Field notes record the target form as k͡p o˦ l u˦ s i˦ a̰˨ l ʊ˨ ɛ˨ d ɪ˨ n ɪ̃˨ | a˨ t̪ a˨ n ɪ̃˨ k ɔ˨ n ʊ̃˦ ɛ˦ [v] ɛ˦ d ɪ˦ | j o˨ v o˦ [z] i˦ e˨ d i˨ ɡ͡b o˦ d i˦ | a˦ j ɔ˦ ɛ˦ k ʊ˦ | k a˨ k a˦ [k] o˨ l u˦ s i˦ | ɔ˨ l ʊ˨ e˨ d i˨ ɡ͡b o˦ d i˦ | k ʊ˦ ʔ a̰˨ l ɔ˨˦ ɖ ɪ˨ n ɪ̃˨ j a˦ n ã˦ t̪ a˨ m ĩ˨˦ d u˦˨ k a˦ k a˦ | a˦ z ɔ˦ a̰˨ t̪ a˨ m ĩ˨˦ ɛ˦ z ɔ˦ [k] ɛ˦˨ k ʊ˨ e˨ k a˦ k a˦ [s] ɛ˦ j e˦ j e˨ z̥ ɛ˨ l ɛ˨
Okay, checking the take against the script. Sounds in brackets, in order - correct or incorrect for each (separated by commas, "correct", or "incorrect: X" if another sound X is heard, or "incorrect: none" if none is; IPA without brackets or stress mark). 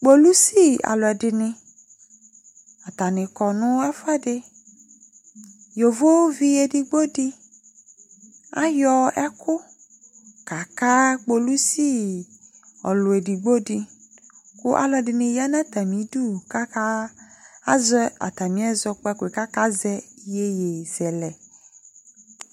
incorrect: f, incorrect: v, incorrect: k͡p, incorrect: k͡p, incorrect: z